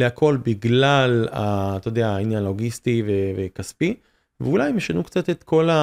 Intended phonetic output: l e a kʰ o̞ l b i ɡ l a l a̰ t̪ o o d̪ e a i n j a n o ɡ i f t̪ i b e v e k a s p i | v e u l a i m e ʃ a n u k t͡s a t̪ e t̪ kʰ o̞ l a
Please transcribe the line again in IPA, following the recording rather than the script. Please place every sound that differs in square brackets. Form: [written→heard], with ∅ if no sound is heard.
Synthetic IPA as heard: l e a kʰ o̞ l b i ɡ l a l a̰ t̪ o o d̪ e a i n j a n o ɡ i [f→s] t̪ i [b→v] e v e k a s p i | v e u l a [i→j] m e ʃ a n u k t͡s a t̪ e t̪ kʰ o̞ l a